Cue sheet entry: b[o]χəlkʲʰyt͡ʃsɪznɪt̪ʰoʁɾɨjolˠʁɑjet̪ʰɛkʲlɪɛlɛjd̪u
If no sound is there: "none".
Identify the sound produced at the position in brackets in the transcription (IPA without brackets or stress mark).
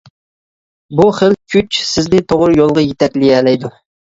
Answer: u